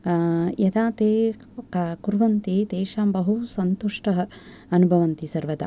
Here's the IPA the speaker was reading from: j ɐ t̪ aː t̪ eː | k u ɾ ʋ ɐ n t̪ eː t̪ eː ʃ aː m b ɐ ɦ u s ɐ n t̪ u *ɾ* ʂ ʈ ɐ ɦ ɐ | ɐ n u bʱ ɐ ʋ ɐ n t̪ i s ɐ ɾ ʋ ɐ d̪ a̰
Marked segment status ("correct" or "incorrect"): incorrect